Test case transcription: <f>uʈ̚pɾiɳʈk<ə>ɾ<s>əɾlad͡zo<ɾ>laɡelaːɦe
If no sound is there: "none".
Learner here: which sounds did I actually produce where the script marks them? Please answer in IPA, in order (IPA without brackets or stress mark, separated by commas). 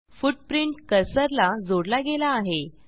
f, ə, s, ɽ